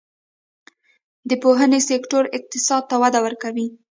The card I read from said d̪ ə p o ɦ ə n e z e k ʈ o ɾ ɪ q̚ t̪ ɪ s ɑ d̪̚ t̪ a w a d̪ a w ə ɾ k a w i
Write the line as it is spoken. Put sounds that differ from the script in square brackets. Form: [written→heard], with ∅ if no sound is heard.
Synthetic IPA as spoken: d̪ ə p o ɦ ə n e [z→s] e k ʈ o ɾ ɪ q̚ t̪ ɪ s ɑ d̪̚ t̪ a w a d̪ a w ə ɾ k a w i